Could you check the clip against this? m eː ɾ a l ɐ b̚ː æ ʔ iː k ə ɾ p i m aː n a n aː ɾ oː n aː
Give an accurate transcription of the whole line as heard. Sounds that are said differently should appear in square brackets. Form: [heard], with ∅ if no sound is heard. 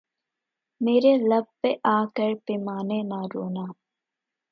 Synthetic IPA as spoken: m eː ɾ [e] l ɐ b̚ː [e] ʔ [aː] k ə ɾ p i m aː n [e] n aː ɾ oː n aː